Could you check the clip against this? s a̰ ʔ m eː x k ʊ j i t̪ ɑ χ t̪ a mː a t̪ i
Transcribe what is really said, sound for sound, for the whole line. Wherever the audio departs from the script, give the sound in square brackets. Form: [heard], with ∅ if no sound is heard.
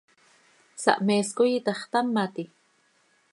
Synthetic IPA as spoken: s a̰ ʔ m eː [s] k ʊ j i t̪ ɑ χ t̪ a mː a t̪ i